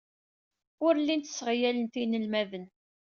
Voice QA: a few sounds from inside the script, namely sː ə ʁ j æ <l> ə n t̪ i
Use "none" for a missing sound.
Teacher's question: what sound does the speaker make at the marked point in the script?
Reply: l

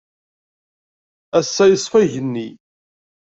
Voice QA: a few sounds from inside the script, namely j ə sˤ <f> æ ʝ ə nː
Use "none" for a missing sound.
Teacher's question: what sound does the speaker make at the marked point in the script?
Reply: f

